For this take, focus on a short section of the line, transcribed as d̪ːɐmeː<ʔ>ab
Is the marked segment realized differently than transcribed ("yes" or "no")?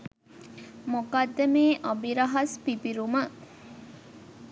no